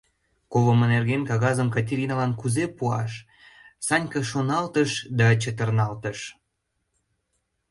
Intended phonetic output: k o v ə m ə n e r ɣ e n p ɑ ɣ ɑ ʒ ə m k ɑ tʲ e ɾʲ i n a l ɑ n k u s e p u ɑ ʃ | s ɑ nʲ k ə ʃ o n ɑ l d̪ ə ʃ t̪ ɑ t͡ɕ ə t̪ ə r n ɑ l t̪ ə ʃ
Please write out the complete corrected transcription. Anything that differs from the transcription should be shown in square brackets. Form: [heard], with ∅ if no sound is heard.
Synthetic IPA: k o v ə m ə n e r ɣ e n [k] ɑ ɣ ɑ [z] ə m k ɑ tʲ e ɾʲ i n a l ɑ n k u [z] e p u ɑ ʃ | s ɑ nʲ k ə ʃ o n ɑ l [t̪] ə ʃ [d̪] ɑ t͡ɕ ə t̪ ə r n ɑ l t̪ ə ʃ